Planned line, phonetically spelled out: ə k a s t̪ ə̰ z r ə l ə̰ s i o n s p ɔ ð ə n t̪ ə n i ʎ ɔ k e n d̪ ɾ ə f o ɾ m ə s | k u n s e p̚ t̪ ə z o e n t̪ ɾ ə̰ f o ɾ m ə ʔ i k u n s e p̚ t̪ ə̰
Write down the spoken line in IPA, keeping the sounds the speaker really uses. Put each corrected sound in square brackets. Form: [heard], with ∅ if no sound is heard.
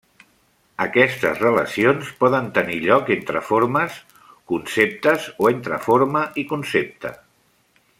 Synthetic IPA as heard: ə k [ɛ] s t̪ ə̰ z r ə l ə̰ s i o n s p ɔ ð ə n t̪ ə n i ʎ ɔ k e n [t̪] ɾ ə f o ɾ m ə s | k u n s e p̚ t̪ ə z o e n t̪ ɾ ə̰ f o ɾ m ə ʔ i k u n s e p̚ t̪ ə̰